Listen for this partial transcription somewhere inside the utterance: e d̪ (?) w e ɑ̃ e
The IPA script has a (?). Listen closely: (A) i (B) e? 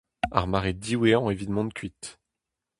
A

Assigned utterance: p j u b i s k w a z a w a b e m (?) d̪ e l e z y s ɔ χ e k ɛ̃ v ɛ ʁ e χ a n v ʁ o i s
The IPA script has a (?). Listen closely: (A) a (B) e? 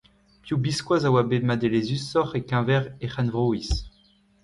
A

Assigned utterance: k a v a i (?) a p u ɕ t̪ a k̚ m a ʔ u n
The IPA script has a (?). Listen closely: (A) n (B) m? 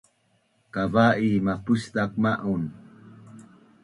B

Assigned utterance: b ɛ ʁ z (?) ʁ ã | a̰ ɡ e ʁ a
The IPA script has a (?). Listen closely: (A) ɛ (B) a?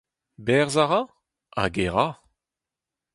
B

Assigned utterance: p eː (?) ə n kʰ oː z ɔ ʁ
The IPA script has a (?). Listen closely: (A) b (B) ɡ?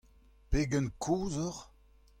B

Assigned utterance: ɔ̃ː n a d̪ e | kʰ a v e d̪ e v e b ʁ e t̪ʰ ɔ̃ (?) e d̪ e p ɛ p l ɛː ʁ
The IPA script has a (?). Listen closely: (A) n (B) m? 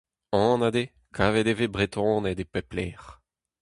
A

